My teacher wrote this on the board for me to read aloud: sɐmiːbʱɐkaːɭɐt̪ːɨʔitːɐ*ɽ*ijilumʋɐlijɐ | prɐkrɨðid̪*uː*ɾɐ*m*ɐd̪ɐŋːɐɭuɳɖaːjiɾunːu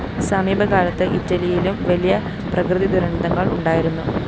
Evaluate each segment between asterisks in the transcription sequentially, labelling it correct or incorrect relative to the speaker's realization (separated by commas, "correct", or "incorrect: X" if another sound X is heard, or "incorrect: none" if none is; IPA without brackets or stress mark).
incorrect: l, incorrect: u, incorrect: ɳ